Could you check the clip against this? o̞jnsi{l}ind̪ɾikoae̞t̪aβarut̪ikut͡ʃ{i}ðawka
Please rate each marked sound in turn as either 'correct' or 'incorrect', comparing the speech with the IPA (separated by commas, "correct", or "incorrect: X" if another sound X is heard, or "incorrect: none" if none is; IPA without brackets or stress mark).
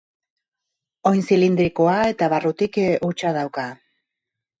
correct, incorrect: a